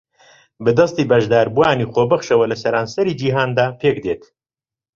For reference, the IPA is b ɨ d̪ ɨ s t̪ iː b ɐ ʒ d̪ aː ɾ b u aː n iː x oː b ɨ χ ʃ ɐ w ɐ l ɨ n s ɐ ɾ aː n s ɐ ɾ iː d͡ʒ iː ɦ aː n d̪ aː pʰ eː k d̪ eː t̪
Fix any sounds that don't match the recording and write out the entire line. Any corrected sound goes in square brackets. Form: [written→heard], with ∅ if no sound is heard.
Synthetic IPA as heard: b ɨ d̪ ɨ s t̪ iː b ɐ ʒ d̪ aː ɾ b u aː n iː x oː b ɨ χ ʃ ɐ w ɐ l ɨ [n→∅] s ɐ ɾ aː n s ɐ ɾ iː d͡ʒ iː ɦ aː n d̪ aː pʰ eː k d̪ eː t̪